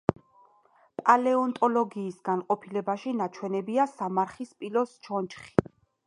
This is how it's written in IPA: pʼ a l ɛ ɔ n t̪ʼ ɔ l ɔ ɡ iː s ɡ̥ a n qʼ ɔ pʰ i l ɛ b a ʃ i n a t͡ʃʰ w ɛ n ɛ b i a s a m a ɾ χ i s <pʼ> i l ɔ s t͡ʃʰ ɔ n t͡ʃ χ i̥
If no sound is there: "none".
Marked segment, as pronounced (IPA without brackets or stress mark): pʼ